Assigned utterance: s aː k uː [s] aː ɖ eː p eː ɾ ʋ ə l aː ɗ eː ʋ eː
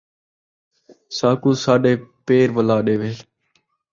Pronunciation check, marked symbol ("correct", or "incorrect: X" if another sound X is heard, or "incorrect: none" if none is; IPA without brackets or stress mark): correct